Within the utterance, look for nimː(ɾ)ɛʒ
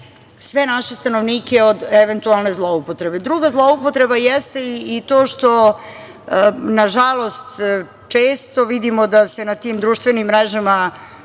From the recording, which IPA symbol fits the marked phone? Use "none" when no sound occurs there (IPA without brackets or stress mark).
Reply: ɾ